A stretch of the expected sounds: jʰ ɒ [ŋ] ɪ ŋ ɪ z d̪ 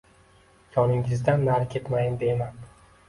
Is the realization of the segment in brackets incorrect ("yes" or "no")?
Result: yes